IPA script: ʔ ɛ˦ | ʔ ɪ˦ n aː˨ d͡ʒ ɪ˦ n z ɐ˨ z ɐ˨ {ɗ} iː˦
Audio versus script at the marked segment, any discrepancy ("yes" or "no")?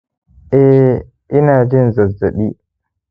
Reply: no